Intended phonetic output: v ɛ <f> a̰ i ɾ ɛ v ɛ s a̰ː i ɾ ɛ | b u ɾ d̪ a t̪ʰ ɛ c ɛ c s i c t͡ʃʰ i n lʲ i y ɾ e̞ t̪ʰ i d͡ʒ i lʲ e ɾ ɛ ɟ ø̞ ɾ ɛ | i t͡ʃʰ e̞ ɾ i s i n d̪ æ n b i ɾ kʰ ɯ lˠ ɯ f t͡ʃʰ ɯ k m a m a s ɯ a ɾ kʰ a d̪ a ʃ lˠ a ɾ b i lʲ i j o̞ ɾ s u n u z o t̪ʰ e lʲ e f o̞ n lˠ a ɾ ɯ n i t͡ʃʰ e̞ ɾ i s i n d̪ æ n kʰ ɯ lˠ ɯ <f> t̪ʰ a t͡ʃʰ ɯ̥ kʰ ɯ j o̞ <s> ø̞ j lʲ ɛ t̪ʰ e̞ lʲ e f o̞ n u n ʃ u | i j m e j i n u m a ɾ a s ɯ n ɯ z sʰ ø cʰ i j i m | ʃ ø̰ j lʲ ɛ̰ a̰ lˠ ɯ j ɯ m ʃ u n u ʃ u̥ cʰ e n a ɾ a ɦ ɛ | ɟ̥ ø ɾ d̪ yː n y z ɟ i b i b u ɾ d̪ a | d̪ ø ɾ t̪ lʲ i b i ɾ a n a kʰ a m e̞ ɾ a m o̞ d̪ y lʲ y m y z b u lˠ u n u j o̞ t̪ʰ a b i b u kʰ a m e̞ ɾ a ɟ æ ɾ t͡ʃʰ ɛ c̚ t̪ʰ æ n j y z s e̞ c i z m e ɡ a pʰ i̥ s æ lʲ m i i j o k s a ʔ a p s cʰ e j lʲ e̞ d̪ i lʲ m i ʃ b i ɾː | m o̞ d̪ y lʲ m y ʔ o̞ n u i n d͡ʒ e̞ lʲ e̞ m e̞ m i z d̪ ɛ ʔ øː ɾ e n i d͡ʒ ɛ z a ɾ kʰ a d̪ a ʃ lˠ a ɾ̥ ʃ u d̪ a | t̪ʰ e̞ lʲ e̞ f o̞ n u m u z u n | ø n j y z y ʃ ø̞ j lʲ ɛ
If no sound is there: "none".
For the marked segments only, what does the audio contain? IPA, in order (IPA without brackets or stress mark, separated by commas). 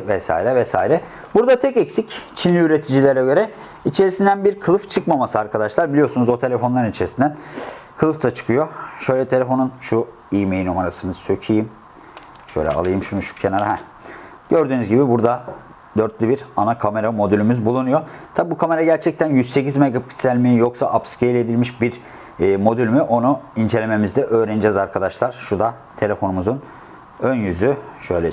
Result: s, f, ʃ